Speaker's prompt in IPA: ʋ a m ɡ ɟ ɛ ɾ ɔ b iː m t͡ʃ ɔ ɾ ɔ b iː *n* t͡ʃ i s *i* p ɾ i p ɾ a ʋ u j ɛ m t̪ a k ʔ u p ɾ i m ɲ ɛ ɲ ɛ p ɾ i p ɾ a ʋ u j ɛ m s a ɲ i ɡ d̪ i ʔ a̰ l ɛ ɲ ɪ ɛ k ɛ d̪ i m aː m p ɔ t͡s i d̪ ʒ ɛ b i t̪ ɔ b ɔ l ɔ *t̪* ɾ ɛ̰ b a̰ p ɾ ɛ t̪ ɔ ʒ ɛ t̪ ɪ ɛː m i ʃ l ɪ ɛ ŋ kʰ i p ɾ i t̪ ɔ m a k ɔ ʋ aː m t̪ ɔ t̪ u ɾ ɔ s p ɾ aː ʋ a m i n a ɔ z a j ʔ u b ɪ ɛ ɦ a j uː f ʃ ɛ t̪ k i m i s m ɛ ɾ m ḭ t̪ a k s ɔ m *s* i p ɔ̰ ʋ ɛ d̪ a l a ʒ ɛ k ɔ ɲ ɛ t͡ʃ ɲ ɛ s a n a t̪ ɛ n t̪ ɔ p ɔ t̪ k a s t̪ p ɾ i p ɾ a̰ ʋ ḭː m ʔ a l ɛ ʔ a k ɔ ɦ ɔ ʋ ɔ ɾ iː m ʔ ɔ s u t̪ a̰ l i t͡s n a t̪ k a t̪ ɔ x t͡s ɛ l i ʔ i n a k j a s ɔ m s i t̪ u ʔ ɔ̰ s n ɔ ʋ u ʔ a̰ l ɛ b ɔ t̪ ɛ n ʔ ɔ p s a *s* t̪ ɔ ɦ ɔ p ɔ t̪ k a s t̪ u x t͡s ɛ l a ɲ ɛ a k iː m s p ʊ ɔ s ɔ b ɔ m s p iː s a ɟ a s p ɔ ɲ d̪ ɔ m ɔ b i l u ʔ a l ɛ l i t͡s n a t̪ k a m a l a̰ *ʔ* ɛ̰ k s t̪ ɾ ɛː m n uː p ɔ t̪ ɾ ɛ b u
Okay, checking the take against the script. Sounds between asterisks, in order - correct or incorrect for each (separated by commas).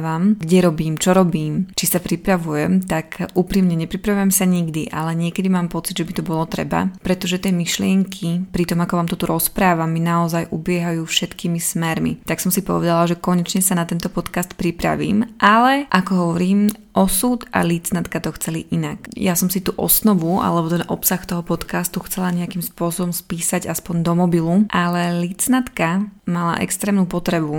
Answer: incorrect, incorrect, correct, correct, incorrect, correct